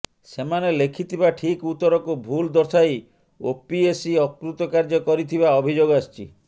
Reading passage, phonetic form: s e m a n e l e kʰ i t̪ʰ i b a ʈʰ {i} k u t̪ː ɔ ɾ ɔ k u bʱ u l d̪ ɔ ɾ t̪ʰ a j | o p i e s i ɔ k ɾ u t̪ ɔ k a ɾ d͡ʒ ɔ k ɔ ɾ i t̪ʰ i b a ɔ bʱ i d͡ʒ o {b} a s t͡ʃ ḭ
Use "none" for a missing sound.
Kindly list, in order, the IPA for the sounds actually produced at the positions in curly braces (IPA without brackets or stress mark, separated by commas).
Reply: i, ɡ